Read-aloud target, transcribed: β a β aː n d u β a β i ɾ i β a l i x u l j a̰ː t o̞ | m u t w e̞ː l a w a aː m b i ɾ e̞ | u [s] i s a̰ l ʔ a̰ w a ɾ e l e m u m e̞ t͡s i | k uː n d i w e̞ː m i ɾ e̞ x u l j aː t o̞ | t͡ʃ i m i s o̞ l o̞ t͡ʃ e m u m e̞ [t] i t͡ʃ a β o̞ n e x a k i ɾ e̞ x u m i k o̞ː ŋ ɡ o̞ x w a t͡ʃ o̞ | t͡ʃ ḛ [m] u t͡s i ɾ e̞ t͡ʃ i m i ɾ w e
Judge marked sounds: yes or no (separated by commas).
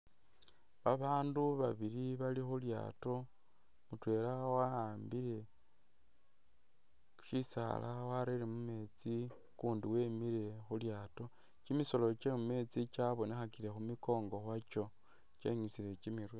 no, no, no